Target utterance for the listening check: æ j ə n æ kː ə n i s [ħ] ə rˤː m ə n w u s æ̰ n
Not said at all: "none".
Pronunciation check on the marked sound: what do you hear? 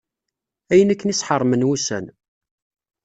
ħ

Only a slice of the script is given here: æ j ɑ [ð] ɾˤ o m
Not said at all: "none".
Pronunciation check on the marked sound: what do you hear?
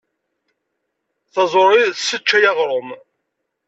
ʁ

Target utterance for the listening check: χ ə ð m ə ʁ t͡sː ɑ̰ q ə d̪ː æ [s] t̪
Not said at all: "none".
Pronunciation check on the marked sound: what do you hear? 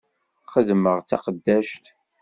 ʃ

